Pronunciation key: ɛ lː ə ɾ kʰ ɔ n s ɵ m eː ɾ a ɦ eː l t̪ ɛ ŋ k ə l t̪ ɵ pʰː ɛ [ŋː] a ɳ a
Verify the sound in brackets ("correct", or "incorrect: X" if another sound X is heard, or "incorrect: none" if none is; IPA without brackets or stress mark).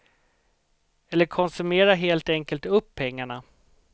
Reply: correct